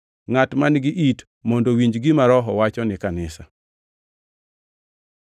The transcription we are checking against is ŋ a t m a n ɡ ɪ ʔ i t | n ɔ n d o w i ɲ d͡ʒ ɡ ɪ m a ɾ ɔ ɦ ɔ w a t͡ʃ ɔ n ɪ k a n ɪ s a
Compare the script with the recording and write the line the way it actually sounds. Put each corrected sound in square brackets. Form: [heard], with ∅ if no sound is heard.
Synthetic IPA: ŋ a t m a n ɡ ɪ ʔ i t | [m] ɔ n d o w i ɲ d͡ʒ ɡ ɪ m a ɾ ɔ ɦ ɔ w a t͡ʃ ɔ n ɪ k a n ɪ s a